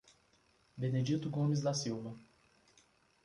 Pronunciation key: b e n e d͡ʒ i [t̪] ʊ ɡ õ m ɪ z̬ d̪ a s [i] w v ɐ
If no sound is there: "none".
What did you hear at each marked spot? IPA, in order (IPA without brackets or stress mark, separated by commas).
t̪, i